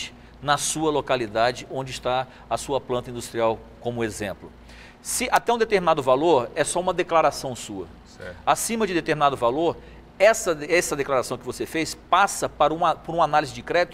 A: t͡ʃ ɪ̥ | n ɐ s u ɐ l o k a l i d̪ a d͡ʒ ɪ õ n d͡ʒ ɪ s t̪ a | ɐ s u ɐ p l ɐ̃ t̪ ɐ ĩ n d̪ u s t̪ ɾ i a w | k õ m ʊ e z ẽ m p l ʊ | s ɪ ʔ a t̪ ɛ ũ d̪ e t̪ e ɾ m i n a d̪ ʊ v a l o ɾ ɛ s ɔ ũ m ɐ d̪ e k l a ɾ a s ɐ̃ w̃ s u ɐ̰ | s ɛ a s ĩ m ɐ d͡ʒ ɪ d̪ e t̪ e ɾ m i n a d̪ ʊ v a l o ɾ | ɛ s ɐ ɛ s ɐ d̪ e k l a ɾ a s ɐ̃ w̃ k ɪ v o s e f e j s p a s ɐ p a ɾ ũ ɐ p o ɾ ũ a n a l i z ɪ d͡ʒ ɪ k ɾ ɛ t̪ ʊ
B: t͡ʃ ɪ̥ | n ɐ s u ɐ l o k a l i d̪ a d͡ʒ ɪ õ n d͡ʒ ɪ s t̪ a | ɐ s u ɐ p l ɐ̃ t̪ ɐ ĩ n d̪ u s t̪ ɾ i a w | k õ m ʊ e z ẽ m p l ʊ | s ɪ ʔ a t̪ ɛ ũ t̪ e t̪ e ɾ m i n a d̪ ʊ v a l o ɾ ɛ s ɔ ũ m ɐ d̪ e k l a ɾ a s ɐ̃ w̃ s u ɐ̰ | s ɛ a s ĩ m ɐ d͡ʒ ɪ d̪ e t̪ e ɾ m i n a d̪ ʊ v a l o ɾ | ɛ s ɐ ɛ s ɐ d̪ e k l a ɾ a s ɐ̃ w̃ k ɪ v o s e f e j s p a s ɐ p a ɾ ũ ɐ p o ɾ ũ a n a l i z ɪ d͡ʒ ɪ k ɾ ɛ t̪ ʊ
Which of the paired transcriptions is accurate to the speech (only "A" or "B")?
A